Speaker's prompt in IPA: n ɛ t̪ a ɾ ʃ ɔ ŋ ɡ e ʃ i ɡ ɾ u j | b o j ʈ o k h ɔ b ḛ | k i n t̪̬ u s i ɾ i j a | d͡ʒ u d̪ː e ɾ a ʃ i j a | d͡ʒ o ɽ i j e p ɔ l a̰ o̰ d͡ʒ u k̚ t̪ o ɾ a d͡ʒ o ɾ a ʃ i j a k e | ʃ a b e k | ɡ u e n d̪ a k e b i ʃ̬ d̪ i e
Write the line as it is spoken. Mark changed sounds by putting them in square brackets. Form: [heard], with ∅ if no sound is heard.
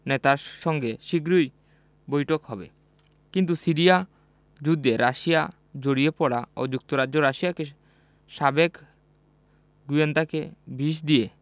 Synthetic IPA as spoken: n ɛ t̪ a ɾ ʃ ɔ ŋ ɡ e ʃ i ɡ ɾ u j | b o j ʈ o k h ɔ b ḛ | k i n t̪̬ u s i ɾ i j a | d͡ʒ u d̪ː e ɾ a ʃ i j a | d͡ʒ o ɽ i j e p ɔ [ɽ] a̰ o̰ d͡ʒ u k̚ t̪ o ɾ a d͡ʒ o ɾ a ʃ i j a k e | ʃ a b e k | ɡ u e n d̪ a k e b i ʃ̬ d̪ i e